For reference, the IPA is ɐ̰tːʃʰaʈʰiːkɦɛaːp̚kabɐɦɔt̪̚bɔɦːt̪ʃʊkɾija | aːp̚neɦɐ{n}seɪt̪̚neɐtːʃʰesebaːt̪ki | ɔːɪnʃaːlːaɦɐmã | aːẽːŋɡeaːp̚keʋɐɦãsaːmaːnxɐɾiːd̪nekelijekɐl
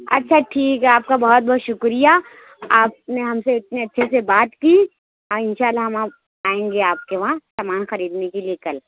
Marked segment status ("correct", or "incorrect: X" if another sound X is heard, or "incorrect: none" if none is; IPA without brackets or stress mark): incorrect: m